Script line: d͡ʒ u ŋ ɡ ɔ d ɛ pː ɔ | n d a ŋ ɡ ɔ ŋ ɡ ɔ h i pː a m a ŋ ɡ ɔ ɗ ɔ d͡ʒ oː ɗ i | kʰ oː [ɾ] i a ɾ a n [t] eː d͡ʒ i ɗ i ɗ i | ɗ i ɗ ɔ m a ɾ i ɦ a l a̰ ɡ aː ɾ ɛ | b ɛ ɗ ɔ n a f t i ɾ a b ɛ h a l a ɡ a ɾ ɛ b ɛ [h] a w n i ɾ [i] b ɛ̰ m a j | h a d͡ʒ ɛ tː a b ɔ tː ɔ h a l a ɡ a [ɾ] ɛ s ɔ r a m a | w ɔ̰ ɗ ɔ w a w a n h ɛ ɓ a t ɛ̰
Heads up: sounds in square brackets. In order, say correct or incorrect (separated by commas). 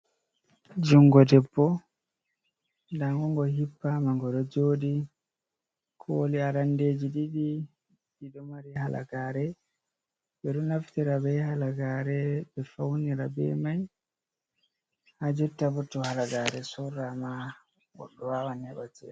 incorrect, incorrect, incorrect, incorrect, correct